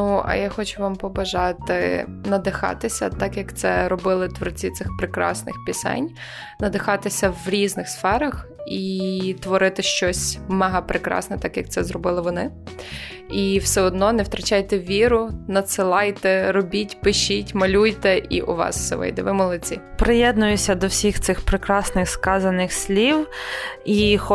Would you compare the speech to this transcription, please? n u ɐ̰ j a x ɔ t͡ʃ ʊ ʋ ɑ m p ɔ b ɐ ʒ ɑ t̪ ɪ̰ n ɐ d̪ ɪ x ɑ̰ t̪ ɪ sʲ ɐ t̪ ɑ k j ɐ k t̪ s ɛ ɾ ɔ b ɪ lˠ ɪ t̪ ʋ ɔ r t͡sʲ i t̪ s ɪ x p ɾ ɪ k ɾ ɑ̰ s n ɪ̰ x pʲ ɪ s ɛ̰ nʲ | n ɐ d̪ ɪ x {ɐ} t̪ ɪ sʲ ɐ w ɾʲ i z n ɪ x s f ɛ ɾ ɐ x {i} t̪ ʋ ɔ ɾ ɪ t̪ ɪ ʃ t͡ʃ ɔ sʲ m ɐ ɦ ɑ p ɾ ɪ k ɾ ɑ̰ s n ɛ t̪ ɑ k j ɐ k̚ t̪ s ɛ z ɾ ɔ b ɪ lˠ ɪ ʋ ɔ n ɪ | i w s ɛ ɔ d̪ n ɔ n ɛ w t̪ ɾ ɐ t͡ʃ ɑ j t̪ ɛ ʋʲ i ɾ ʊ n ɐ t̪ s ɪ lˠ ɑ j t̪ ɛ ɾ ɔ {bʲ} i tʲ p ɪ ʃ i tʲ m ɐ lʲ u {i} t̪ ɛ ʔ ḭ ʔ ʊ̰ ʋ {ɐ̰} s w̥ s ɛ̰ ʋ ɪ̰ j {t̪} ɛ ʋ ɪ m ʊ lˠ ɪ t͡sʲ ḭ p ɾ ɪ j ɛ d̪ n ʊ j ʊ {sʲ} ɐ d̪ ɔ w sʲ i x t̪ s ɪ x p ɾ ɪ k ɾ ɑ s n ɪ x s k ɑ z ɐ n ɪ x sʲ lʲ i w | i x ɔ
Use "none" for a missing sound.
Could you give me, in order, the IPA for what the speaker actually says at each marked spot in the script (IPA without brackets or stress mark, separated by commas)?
ɑ, i, bʲ, j, ɑ̰, d̪, sʲ